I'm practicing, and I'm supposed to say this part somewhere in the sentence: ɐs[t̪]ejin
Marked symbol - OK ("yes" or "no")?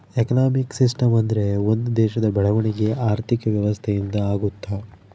no